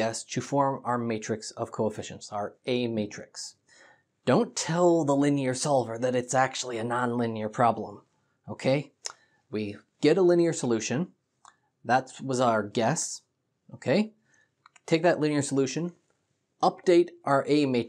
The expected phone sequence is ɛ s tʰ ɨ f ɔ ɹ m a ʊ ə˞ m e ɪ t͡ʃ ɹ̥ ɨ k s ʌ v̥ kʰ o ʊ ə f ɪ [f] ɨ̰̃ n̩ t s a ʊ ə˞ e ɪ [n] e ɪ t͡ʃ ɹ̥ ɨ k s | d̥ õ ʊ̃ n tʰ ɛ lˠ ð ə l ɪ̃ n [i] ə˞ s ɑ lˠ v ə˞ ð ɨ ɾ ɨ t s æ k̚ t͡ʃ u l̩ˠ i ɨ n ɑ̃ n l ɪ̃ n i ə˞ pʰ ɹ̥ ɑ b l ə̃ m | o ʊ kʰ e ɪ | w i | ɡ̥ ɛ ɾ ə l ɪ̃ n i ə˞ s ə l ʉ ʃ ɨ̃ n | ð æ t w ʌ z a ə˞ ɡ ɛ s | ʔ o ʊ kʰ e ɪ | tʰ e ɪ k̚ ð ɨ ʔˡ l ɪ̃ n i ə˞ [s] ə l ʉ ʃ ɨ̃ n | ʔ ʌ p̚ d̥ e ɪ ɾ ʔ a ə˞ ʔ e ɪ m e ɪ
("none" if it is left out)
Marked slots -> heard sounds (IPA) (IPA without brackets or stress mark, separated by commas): ʃ, m, i, s